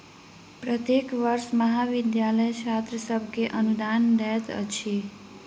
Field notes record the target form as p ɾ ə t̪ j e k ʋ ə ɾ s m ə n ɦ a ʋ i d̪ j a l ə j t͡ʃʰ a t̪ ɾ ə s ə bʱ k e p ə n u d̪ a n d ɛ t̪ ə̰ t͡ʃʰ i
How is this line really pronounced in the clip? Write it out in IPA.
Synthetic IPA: p ɾ ə t̪ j e k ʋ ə ɾ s m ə ɦ a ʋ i d̪ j a l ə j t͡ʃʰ a t̪ ɾ ə s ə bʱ k e ʔ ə n u d̪ a n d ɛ t̪ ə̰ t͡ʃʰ i